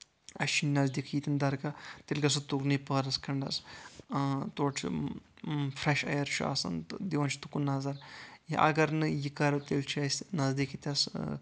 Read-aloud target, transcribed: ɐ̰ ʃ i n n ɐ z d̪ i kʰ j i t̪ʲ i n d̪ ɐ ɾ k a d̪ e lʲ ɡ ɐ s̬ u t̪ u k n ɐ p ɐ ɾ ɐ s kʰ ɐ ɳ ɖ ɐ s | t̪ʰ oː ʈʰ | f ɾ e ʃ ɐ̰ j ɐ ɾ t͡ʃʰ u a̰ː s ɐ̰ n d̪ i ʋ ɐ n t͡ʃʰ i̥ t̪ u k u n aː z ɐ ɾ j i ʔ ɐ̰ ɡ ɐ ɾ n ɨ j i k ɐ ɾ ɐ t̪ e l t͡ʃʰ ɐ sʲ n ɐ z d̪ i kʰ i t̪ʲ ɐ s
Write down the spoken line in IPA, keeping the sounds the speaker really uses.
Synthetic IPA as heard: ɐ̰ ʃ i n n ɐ z d̪ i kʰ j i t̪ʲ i n d̪ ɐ ɾ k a t̪ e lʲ ɡ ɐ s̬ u t̪ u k n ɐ p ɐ ɾ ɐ s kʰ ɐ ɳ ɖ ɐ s | t̪ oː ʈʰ | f ɾ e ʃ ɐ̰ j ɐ ɾ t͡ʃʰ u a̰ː s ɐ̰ n d̪ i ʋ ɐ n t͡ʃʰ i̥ t̪ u k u n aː z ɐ ɾ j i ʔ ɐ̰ ɡ ɐ ɾ n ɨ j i k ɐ ɾ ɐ t̪ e l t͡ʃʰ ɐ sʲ n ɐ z d̪ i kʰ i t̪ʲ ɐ s